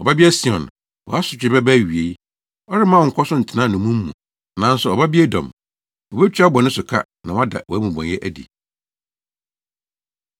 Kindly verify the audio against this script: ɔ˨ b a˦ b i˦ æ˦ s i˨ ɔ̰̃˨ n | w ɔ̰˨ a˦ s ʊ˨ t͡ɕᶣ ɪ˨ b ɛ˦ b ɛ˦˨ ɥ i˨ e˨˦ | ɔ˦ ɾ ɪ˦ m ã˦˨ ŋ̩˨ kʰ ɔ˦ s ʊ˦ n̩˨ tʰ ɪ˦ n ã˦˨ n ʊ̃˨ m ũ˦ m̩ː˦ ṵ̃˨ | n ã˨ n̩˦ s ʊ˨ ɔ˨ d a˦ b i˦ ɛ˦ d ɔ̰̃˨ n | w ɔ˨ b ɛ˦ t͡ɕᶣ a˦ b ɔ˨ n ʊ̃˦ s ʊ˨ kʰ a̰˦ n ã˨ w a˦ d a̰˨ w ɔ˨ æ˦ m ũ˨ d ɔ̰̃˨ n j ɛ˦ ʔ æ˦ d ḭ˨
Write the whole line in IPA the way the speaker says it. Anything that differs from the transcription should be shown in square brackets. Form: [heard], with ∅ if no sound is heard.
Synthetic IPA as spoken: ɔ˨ b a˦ b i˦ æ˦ s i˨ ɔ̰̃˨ n | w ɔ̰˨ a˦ s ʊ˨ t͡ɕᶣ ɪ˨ b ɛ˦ b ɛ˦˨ ɥ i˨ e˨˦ | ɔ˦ ɾ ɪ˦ m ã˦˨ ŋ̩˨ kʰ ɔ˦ s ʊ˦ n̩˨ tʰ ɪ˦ n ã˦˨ n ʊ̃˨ m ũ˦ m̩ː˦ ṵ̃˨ | n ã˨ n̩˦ s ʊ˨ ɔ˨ [b] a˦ b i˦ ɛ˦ d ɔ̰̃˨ [m] | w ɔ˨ b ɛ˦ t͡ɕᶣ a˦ b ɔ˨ n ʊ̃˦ s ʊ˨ kʰ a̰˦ n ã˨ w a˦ d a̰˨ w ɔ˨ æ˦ m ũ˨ [b] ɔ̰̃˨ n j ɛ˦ ʔ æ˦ d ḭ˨